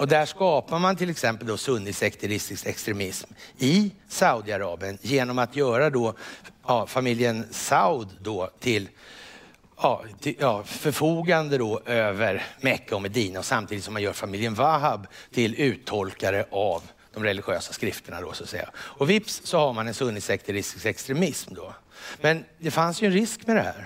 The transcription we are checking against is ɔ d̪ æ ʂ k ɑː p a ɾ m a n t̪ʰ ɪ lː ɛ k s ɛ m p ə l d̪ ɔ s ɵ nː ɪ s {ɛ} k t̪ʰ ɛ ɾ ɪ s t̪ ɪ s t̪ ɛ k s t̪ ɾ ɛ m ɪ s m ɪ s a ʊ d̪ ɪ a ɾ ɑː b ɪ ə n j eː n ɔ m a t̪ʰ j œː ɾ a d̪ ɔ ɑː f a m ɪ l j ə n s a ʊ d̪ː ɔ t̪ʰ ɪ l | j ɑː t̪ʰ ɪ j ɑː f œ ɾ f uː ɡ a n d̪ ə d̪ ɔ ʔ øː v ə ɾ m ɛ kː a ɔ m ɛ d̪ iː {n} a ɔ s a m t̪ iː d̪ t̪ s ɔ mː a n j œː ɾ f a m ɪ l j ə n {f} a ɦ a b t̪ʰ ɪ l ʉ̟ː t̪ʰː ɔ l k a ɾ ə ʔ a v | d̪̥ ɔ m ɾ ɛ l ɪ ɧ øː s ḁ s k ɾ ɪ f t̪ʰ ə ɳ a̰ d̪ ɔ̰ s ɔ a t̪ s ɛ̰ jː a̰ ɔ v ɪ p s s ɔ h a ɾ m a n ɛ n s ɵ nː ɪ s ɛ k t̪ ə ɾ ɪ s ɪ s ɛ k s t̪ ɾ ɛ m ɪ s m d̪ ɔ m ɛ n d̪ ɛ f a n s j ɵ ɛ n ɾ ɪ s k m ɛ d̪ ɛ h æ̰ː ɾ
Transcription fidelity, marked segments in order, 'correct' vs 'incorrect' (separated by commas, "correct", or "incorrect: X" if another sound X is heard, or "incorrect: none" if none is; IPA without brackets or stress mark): correct, correct, incorrect: v